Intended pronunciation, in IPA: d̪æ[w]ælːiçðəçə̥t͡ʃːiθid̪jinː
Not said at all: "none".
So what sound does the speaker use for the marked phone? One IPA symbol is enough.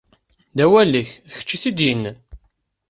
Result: w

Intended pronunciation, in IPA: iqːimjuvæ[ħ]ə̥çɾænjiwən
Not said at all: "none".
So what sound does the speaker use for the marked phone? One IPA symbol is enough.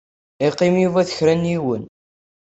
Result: θ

